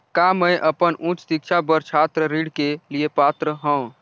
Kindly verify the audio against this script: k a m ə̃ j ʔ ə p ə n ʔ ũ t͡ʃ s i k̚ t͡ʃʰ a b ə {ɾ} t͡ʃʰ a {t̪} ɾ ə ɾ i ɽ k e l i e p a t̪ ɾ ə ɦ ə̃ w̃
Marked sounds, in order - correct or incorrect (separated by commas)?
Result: correct, correct